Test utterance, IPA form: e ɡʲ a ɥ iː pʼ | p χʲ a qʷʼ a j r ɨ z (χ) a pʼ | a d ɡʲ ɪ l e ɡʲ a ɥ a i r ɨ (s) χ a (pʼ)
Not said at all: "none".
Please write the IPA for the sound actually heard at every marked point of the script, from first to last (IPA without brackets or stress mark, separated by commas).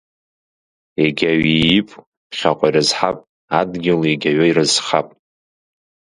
ħ, z, pʼ